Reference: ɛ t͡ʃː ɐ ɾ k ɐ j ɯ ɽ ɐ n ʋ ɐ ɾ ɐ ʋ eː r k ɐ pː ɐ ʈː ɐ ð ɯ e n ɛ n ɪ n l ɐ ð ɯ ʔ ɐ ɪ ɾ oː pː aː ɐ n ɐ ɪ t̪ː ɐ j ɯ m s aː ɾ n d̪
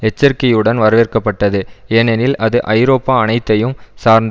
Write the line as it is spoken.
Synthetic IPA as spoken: ɛ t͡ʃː ɐ ɾ k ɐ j ɯ ɽ ɐ n ʋ ɐ ɾ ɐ ʋ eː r k ɐ pː ɐ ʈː ɐ ð ɯ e n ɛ n ɪ l ɐ ð ɯ ʔ ɐ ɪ ɾ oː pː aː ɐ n ɐ ɪ t̪ː ɐ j ɯ m s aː ɾ n d̪

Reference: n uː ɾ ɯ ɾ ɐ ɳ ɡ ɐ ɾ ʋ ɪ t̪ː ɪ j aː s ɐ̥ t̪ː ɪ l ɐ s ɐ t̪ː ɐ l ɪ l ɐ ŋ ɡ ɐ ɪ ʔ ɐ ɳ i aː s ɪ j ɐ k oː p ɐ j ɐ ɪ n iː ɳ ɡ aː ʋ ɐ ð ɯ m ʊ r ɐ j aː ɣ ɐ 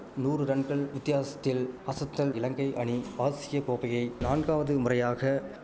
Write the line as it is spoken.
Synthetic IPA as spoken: n uː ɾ ɯ ɾ ɐ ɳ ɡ ɐ ɭ ʋ ɪ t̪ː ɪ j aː s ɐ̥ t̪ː ɪ l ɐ s ɐ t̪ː ɐ l ɪ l ɐ ŋ ɡ ɐ ɪ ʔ ɐ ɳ i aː s ɪ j ɐ k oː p ɐ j ɐ ɪ n aː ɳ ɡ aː ʋ ɐ ð ɯ m ʊ r ɐ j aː ɣ ɐ

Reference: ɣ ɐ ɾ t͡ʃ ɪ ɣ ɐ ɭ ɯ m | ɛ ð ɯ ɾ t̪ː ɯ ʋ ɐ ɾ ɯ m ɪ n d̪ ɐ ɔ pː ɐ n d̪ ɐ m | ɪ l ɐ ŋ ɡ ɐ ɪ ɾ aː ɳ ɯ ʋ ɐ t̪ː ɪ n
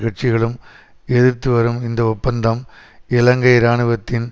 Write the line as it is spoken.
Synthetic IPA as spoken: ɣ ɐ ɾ t͡ʃ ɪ ɣ ɐ ɭ ɯ m | ɛ ð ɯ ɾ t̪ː ɯ ʋ ɐ ɾ ɯ m ɪ n d̪ ɐ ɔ pː ɐ n d̪ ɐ m | ɪ l ɐ ŋ ɡ ɐ ɪ ɾ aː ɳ ɯ ʋ ɐ t̪ː ɪ n

